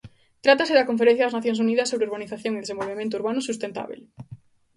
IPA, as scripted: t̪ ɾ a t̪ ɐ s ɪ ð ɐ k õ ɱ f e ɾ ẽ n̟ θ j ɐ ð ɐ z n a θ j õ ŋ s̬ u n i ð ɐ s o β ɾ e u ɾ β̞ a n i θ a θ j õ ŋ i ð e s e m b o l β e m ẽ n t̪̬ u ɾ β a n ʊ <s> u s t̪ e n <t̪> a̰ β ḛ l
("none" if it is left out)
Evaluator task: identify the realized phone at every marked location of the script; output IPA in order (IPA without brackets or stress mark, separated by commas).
s, t̪